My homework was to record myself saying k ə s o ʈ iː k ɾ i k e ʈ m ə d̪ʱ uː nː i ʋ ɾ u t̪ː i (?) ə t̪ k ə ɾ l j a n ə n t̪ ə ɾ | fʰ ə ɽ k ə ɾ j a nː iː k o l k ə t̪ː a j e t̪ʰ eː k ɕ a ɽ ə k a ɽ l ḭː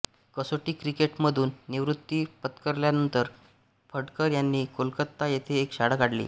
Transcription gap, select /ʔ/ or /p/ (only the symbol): p